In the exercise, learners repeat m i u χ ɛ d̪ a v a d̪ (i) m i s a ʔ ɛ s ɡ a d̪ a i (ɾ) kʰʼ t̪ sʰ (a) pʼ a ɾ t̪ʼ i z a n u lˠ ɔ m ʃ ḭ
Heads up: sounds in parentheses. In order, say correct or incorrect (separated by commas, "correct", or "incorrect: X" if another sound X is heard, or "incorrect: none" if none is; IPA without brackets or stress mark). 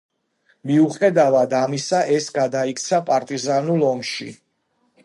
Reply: incorrect: a, incorrect: none, correct